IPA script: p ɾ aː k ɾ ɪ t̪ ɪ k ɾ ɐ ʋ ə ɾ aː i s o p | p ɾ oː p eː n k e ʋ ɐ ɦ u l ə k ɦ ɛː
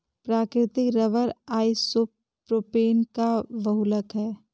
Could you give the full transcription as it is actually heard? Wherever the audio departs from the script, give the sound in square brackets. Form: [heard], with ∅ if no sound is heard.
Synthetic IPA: p ɾ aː k ɾ ɪ t̪ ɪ k ɾ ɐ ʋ ə ɾ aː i s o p | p ɾ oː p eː n k [a] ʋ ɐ ɦ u l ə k ɦ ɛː